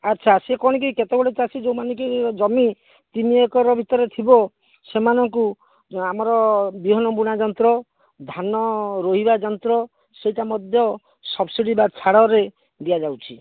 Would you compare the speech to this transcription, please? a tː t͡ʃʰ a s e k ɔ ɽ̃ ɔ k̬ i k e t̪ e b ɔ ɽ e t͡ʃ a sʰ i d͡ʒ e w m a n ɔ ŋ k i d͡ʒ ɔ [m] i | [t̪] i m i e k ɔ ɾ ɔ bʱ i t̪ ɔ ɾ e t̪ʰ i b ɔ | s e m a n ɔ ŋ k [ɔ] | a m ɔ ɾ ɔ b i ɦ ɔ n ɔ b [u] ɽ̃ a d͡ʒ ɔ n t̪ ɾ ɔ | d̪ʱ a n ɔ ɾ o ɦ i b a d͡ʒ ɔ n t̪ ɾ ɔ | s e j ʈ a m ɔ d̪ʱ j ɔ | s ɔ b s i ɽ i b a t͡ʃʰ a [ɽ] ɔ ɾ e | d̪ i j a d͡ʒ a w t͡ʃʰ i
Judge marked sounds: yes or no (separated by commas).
yes, yes, no, yes, yes